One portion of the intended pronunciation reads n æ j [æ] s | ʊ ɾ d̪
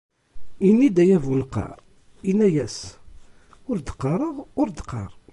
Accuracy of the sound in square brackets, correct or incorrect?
correct